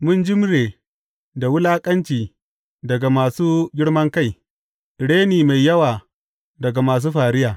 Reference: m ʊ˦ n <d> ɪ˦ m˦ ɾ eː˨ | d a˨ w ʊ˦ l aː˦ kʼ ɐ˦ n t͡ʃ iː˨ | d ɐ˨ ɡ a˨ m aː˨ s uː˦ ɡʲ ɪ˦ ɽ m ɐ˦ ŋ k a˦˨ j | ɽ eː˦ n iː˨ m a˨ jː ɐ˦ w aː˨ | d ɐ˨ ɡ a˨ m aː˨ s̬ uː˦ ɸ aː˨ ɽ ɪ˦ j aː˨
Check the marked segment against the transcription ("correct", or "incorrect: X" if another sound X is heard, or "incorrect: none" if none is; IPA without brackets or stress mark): incorrect: d͡ʒ